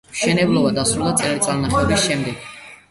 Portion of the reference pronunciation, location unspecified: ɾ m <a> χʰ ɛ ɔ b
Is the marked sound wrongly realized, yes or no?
no